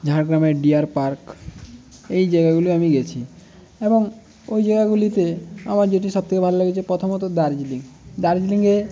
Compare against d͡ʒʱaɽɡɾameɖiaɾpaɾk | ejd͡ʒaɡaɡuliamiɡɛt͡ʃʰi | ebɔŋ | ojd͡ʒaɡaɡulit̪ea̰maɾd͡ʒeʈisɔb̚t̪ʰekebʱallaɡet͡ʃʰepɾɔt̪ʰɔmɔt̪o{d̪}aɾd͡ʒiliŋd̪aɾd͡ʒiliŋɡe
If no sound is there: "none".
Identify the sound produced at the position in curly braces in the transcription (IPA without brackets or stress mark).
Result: d̪